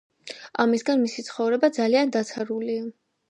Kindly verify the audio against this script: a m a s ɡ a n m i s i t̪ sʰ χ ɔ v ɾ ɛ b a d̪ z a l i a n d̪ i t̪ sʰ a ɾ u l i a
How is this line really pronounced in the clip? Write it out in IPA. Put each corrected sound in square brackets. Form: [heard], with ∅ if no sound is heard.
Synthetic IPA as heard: a m [i] s ɡ a n m i s i t̪ sʰ χ ɔ v ɾ ɛ b a d̪ z a l i a n d̪ [a] t̪ sʰ a ɾ u l i a